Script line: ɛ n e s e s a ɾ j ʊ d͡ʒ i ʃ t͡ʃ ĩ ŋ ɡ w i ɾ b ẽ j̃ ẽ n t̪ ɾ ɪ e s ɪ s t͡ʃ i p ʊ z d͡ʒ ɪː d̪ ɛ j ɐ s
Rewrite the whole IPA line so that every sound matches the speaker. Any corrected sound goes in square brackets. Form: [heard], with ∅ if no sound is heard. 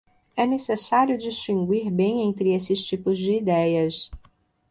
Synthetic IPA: ɛ n e s e s a ɾ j ʊ d͡ʒ i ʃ t͡ʃ ĩ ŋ ɡ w i ɾ b ẽ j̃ ẽ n t̪ ɾ ɪ e s ɪ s t͡ʃ i p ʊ z d͡ʒ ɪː d̪ ɛ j ɐ s